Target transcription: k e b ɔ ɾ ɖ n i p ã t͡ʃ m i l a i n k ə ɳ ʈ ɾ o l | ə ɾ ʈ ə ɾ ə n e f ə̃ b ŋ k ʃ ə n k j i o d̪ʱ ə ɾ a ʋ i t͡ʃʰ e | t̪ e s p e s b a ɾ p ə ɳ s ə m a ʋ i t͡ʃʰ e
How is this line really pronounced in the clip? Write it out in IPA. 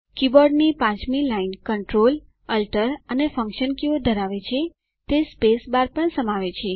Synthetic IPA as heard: k i b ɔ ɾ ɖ n i p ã t͡ʃ m i l a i n k ə ɳ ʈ ɾ o l | ə l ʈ ə ɾ ə n e f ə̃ ŋ k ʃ ə n k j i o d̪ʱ ə ɾ a ʋ e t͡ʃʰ e | t̪ e s p e s b a ɾ p ə ɳ s ə m a ʋ e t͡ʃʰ e